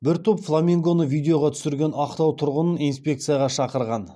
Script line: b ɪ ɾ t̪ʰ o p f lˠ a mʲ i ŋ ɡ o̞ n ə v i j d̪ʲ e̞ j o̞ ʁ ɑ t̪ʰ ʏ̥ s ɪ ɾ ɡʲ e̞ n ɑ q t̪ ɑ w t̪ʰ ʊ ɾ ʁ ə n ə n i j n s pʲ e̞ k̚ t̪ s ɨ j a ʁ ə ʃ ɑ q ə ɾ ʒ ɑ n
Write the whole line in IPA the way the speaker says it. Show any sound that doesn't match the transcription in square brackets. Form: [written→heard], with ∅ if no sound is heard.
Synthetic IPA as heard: b ɪ ɾ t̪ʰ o p f lˠ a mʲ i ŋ ɡ o̞ n ə v i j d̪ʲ e̞ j o̞ ʁ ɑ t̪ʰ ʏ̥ s ɪ ɾ ɡʲ e̞ n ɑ q t̪ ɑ w t̪ʰ ʊ ɾ ʁ ə n ə n i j n s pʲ e̞ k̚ t̪ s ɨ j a ʁ [ə→ɑ] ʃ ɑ q ə ɾ [ʒ→ʁ] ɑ n